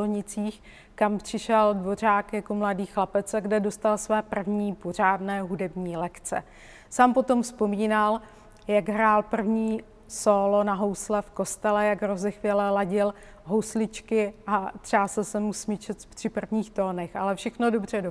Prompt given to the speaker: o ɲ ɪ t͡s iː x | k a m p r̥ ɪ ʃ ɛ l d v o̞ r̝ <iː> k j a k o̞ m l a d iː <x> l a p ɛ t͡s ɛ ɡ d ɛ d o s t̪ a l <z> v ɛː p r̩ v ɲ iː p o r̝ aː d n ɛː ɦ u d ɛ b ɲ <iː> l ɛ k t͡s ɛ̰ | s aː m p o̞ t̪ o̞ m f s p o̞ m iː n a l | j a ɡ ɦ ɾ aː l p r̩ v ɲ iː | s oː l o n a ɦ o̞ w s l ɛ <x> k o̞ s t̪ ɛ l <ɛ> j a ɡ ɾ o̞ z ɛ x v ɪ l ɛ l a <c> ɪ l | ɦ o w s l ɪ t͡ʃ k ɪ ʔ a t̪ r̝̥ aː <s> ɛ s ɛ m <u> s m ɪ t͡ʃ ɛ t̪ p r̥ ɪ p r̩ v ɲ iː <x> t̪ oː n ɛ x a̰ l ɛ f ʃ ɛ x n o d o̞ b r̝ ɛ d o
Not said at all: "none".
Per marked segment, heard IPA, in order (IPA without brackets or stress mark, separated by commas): aː, x, s, iː, f, ɛ, ɟ, s, u, x